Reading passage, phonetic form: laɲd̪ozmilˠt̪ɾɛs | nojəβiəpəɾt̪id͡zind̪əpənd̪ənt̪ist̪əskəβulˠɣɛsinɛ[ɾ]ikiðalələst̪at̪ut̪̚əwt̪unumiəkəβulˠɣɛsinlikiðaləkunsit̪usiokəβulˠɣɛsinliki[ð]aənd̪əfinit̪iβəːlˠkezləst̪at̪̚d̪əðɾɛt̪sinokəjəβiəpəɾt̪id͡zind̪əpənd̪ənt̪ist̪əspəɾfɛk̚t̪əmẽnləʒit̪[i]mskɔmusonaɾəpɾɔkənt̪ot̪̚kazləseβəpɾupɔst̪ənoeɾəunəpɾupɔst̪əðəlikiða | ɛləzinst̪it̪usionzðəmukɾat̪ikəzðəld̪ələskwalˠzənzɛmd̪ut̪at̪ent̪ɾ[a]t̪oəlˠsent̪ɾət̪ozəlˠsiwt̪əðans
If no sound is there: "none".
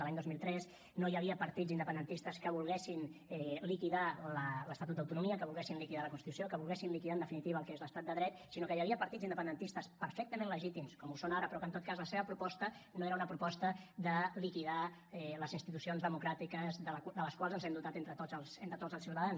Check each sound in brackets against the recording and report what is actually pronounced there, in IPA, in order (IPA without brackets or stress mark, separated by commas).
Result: l, ð, i, ə